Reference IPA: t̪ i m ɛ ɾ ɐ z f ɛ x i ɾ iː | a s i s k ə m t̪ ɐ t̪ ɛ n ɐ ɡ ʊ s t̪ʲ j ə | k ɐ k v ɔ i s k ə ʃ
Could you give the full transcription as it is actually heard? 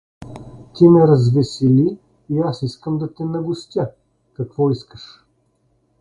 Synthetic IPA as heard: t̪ i m ɛ ɾ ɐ z v ɛ s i l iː | a s i s k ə m d̪ ɐ t̪ ɛ n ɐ ɡ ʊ s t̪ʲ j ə | k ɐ k v ɔ i s k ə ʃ